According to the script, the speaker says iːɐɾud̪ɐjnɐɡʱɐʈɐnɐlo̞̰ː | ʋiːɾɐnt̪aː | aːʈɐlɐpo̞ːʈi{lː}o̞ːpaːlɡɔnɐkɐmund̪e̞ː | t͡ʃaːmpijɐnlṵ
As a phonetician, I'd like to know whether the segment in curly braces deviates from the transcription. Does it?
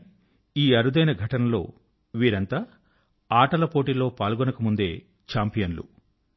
yes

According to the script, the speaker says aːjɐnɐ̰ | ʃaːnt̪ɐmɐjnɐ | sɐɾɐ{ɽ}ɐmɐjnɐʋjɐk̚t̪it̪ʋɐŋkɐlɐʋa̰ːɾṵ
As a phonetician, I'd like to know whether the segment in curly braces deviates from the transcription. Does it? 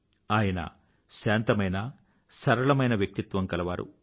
yes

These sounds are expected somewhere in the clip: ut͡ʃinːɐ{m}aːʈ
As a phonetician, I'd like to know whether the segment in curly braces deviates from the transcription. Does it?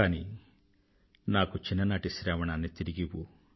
yes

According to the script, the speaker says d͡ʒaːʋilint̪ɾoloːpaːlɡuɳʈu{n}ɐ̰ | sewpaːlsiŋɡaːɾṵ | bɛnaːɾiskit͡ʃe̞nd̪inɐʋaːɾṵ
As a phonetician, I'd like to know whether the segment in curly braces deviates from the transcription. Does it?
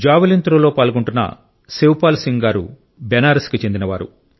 yes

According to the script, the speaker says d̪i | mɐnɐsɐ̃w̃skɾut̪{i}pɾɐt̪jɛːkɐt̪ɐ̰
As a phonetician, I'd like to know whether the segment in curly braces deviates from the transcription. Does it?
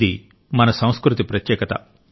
no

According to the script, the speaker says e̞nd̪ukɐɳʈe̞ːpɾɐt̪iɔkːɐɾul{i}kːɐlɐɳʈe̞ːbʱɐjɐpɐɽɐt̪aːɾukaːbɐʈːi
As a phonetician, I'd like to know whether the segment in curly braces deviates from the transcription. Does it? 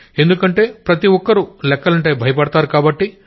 yes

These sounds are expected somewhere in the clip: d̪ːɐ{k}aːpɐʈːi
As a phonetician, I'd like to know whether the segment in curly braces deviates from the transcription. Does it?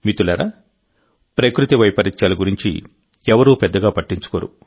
yes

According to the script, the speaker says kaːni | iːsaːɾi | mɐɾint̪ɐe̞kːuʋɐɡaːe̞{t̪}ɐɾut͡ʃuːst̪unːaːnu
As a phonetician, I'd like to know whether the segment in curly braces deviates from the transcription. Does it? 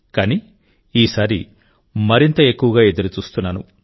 yes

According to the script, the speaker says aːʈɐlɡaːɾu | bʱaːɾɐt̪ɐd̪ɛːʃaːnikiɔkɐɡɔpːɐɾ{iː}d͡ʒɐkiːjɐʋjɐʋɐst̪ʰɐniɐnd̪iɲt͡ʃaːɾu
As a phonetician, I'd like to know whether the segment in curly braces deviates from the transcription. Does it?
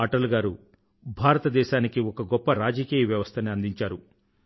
yes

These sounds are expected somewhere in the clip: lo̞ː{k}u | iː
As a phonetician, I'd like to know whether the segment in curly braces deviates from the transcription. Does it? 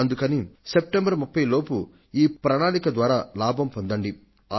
yes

